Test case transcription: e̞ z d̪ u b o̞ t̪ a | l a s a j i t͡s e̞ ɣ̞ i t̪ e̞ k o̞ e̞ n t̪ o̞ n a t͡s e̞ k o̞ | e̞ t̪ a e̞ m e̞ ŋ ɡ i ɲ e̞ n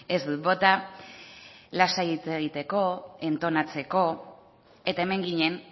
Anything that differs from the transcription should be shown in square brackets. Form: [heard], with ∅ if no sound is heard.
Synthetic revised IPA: e̞ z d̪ u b o̞ t̪ a | l a s a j i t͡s e̞ ɣ̞ i t̪ e̞ k o̞ e̞ n t̪ o̞ n a t͡s e̞ k o̞ | e̞ t̪ a e̞ m e̞ ŋ ɡ i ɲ e̞ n